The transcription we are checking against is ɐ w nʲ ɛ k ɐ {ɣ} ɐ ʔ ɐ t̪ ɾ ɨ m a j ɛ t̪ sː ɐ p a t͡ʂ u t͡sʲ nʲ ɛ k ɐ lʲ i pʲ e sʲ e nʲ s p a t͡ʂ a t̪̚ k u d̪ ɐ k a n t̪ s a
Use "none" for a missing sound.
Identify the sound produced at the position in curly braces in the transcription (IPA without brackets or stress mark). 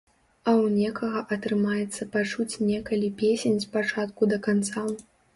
ɣ